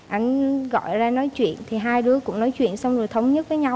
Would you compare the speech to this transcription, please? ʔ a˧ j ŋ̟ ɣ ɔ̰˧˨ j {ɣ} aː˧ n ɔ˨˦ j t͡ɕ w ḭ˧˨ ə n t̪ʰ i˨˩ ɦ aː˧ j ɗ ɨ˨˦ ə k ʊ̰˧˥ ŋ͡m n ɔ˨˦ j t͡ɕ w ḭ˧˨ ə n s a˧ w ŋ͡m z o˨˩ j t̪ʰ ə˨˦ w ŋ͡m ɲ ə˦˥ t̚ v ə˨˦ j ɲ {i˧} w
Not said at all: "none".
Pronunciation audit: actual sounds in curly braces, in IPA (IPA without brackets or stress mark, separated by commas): z, a˧